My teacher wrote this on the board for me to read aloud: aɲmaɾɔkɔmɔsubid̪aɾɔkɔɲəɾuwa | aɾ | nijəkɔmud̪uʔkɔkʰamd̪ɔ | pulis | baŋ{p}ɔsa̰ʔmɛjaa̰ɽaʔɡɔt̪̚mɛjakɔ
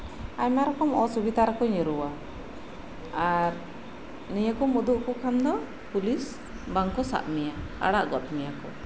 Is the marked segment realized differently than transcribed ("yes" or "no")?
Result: yes